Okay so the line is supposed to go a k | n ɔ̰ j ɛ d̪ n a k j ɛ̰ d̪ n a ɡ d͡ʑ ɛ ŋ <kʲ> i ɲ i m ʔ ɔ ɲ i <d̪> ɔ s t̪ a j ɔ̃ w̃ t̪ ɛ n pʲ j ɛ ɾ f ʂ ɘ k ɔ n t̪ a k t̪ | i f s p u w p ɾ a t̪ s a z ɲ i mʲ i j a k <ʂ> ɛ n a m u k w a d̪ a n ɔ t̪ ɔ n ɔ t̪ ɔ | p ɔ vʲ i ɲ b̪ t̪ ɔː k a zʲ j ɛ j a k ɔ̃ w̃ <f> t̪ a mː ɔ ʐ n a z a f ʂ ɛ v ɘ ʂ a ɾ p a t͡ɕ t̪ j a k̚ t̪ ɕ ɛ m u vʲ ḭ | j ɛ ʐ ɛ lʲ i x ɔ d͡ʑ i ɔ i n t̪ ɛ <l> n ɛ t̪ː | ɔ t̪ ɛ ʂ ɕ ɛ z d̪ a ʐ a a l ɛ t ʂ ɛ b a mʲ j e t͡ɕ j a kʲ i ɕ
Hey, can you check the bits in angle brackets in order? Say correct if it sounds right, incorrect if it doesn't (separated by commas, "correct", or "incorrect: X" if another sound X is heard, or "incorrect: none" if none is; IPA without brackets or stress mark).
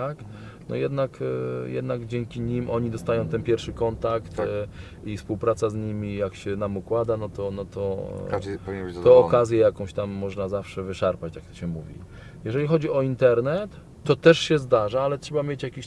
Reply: correct, correct, incorrect: ɕ, incorrect: ɕ, incorrect: ɾ